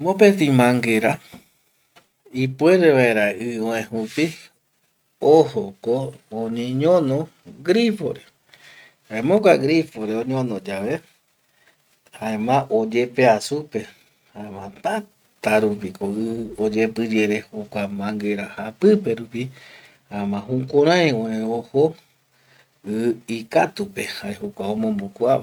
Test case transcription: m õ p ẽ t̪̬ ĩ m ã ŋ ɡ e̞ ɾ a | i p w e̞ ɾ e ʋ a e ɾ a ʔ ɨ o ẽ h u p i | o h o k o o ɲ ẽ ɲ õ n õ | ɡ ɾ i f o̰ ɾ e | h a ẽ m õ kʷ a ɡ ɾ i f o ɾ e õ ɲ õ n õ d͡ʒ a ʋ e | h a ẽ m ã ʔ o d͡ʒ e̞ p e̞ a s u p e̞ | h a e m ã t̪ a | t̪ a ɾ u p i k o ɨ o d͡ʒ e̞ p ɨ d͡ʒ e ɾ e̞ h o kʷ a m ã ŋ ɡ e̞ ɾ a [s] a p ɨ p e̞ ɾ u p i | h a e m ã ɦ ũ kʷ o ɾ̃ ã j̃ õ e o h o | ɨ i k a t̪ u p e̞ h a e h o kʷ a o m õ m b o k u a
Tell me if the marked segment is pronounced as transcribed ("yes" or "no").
no